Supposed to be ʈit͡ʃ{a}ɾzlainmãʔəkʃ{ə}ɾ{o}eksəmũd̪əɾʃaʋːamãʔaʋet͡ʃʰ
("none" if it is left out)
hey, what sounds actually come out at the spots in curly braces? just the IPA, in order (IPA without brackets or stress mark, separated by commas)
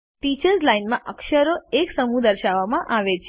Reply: ə, ə, o